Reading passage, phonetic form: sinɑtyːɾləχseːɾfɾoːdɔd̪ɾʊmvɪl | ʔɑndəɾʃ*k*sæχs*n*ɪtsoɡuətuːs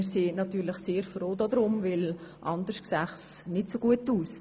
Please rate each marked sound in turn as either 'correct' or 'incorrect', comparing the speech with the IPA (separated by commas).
correct, correct